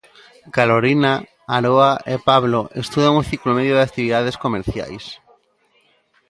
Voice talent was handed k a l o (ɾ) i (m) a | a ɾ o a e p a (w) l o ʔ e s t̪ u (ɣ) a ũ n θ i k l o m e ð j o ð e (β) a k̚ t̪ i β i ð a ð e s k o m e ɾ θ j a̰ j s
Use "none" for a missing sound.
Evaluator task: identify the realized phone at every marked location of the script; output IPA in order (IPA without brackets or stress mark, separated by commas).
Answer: ɾ, n, β, ð, none